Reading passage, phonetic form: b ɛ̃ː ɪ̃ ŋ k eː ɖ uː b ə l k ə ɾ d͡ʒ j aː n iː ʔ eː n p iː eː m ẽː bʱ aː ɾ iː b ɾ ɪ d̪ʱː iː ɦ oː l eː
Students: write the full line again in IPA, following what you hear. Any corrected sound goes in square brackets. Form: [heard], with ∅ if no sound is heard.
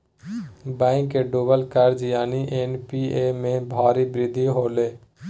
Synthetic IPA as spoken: b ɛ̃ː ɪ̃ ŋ k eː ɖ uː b ə l k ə ɾ d͡ʒ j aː n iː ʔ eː n p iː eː m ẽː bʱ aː ɾ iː b ɾ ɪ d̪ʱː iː ɦ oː l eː

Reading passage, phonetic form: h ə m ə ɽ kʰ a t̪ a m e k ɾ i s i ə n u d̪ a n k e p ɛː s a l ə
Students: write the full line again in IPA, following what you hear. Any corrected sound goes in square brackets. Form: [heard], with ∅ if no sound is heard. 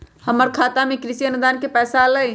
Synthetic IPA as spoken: h ə m ə [ɾ] kʰ a t̪ a m e k ɾ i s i ə n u d̪ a n k e p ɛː s a l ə

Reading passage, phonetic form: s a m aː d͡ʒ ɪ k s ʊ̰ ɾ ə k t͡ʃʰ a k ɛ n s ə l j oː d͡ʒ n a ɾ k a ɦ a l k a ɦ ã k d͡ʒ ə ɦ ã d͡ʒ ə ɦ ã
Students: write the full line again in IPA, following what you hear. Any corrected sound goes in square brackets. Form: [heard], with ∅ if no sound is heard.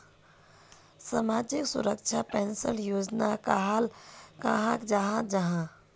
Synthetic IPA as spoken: s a m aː d͡ʒ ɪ k s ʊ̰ ɾ ə k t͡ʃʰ a [p] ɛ n s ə l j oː d͡ʒ n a [∅] k a ɦ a l k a ɦ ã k d͡ʒ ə ɦ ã d͡ʒ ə ɦ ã

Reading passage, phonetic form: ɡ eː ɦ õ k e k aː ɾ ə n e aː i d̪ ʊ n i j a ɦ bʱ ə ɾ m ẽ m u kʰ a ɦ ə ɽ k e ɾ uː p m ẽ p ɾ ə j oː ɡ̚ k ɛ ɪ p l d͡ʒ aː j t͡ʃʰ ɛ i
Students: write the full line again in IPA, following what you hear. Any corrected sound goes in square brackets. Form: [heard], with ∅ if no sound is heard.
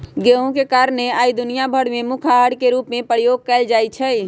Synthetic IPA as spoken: ɡ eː ɦ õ k e k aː ɾ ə n e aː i d̪ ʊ n i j a [∅] bʱ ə [ɽ] m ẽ m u kʰ a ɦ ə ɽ k e ɾ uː p m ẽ p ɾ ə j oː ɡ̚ k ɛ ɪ [∅] l d͡ʒ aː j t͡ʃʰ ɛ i

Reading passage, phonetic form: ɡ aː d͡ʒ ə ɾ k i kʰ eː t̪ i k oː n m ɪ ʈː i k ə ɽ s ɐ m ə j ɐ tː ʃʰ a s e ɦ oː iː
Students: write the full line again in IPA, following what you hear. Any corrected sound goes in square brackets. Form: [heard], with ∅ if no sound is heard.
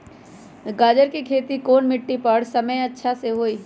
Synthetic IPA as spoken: ɡ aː d͡ʒ ə ɾ k i kʰ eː t̪ i k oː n m ɪ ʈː i [p] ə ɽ s ɐ m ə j ɐ tː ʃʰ a s e ɦ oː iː

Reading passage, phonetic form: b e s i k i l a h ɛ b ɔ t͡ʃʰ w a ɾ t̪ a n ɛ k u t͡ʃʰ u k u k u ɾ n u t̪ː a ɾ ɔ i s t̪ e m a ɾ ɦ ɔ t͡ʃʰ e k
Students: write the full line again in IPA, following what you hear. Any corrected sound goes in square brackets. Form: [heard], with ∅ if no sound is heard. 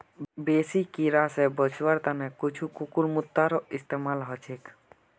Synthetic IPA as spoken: b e s i k i [ɾ] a [s] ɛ b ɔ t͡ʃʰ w a ɾ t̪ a n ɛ k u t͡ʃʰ u k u k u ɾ [m] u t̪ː a ɾ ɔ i s t̪ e m a [l] ɦ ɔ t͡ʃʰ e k

